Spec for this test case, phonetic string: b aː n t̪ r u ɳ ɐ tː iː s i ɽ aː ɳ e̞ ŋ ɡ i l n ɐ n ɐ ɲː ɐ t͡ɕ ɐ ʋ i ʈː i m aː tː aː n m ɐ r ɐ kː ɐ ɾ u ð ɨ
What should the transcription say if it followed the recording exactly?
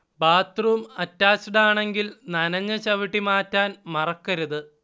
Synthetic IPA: b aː t̪ r u m ɐ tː aː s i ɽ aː ɳ e̞ ŋ ɡ i l n ɐ n ɐ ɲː ɐ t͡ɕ ɐ ʋ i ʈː i m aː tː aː n m ɐ r ɐ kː ɐ ɾ u ð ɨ